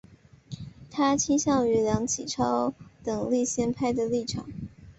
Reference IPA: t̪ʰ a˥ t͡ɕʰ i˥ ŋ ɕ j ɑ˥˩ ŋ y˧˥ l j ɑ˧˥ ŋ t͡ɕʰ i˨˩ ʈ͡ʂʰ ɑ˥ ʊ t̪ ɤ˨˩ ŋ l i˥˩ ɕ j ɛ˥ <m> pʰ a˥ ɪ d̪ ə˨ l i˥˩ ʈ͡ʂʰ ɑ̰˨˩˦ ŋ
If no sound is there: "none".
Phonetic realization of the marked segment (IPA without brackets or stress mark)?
n